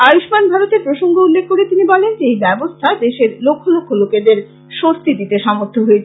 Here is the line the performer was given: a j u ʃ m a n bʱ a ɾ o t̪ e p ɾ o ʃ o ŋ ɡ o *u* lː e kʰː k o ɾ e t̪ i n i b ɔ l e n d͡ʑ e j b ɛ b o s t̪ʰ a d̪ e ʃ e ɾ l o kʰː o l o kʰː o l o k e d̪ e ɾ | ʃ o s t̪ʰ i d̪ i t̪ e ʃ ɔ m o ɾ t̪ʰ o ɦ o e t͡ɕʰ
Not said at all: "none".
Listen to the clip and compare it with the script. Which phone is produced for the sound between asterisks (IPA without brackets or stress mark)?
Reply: u